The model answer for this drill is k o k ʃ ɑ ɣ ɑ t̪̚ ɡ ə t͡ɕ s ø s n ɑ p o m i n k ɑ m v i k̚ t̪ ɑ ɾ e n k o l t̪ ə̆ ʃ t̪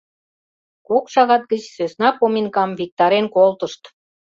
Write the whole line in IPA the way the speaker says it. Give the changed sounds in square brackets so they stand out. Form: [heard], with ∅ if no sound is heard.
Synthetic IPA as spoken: k o k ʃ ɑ ɣ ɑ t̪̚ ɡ ə t͡ɕ s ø s n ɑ p o m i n k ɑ m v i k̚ t̪ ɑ ɾ e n k o l t̪ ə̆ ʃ t̪